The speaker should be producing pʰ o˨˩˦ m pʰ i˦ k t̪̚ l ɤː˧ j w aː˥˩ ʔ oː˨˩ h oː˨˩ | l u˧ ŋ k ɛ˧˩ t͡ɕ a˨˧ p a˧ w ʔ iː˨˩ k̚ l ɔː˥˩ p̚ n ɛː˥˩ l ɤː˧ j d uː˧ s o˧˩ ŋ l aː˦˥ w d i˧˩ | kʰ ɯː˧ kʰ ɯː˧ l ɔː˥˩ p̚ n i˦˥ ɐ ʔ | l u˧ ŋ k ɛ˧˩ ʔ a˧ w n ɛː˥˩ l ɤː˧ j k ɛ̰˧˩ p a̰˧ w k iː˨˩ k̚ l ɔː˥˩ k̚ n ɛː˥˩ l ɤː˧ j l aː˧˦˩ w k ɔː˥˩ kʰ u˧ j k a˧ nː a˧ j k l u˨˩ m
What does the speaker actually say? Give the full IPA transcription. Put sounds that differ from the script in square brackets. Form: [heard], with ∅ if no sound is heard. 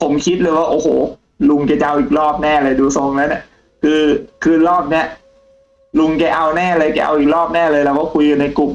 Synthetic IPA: pʰ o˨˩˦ m [kʰ] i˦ [∅] t̪̚ l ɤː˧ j w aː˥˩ ʔ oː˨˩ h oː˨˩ | l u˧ ŋ k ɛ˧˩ t͡ɕ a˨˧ [ʔ] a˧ w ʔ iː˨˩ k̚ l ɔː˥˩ p̚ n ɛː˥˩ l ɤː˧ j d uː˧ s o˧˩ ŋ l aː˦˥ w [n] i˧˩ | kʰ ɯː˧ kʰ ɯː˧ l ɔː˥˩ p̚ n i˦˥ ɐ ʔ | l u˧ ŋ k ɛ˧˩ ʔ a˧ w n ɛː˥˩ l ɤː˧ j k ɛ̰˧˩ [ʔ] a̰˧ w [ʔ] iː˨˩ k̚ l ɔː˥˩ [p̚] n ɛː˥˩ l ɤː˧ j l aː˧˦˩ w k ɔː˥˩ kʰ u˧ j k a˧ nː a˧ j k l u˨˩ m

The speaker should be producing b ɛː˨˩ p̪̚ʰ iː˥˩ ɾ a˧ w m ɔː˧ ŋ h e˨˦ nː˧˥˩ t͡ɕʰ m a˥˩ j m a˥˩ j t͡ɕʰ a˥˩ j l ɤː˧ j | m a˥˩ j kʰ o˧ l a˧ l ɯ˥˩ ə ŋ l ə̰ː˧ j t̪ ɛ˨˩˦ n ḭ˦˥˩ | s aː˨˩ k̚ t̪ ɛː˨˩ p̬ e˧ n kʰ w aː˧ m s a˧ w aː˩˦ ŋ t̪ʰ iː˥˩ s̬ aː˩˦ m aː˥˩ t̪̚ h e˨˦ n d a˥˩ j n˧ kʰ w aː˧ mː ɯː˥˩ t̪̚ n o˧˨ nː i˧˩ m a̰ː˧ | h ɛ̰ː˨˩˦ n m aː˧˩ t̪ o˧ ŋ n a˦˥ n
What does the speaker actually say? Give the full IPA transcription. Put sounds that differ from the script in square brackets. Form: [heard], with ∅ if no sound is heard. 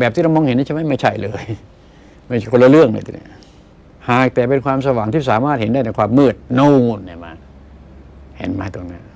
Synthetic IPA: b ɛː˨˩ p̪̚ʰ [iː˥] ɾ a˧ w m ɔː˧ ŋ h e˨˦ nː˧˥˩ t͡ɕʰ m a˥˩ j m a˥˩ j t͡ɕʰ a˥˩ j l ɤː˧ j | m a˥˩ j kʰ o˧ l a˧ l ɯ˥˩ ə ŋ l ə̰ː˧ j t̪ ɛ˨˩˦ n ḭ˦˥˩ | [h] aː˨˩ k̚ t̪ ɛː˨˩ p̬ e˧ n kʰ w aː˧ m s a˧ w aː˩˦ ŋ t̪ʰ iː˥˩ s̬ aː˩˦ m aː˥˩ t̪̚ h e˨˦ n d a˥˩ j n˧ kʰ w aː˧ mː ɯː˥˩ t̪̚ n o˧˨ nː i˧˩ m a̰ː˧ | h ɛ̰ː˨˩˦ n m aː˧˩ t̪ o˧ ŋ n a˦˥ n

